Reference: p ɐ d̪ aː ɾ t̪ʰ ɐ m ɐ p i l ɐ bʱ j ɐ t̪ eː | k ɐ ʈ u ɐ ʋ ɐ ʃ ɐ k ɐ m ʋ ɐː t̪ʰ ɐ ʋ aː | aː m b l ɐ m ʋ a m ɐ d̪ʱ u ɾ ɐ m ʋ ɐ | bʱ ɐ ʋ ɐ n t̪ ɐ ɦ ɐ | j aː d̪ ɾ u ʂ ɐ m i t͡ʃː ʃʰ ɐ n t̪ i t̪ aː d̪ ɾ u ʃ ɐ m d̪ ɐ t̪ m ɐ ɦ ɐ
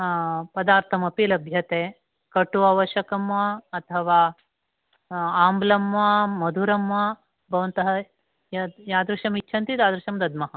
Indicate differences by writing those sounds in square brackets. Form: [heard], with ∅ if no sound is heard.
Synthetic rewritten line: p ɐ d̪ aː ɾ t̪ʰ ɐ m ɐ p i l ɐ bʱ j ɐ t̪ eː | k ɐ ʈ u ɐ ʋ ɐ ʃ ɐ k ɐ m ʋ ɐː t̪ʰ ɐ ʋ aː | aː m b l ɐ m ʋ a m ɐ d̪ʱ u ɾ ɐ m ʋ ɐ | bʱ ɐ ʋ ɐ n t̪ ɐ ɦ ɐ | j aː d̪ ɾ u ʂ ɐ m i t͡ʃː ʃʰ ɐ n t̪ i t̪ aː d̪ ɾ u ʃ ɐ m d̪ ɐ [d̪] m ɐ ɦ ɐ